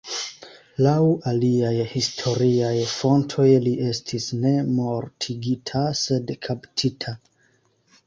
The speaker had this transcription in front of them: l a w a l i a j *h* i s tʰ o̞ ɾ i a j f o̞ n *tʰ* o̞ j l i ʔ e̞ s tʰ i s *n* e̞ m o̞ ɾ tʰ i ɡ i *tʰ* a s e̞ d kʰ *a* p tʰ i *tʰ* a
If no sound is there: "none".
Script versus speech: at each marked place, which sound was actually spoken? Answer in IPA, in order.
h, tʰ, n, tʰ, a, tʰ

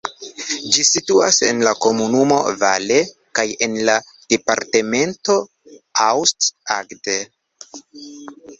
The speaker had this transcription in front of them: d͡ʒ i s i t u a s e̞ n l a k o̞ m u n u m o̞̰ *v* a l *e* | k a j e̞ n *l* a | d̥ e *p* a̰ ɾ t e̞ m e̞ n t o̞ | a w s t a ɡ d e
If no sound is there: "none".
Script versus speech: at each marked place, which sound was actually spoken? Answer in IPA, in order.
v, e, l, p

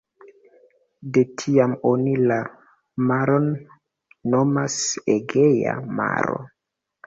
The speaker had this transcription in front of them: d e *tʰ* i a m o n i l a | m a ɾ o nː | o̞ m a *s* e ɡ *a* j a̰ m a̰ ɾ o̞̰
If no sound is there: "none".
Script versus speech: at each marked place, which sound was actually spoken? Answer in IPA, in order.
tʰ, s, e

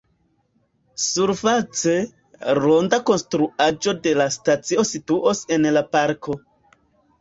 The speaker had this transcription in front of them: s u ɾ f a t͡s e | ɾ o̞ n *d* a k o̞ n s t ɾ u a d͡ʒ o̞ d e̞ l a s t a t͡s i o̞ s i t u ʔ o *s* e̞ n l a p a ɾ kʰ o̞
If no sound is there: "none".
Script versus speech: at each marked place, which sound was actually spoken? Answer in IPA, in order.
d, s

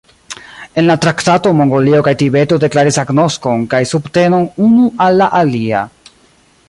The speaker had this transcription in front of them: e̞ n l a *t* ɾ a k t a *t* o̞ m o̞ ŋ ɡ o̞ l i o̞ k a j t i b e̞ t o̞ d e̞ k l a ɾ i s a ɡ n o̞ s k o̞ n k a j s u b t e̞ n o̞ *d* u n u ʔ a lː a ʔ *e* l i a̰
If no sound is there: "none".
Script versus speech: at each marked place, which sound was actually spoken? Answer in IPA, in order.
t, t, n, a

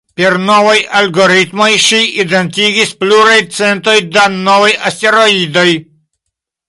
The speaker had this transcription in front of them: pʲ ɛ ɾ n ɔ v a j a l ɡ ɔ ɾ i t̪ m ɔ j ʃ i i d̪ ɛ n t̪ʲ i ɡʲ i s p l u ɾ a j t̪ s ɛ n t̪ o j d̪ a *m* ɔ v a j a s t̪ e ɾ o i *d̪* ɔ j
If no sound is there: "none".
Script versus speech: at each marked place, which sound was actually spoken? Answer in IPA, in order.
n, d̪

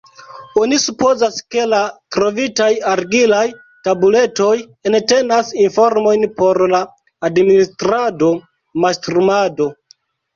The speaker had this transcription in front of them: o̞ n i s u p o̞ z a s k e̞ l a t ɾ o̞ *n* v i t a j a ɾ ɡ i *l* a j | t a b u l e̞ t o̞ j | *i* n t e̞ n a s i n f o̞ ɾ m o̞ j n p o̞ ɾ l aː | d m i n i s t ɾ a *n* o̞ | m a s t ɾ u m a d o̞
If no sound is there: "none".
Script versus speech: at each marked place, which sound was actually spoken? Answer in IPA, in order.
none, l, e, d

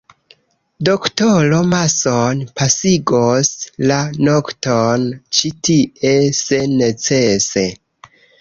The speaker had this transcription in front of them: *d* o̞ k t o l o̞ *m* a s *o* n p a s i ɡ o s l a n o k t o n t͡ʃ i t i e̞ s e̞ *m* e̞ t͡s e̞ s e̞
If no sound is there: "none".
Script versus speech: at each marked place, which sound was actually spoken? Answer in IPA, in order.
d, m, o, n

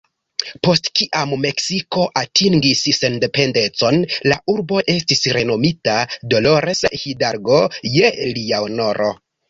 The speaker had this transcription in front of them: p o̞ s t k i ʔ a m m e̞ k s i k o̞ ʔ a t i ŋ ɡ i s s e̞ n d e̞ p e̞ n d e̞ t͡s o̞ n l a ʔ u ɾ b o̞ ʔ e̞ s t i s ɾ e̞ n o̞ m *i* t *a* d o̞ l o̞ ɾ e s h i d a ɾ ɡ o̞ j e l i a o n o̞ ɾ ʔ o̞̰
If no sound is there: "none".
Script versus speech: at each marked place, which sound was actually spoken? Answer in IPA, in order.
i, a

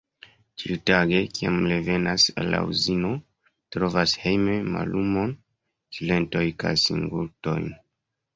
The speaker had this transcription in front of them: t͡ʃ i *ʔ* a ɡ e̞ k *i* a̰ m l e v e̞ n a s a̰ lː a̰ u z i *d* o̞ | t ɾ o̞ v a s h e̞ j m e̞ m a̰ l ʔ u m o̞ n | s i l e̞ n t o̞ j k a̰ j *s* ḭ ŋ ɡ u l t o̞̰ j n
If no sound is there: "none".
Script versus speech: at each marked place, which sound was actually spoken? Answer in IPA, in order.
t, i, n, s

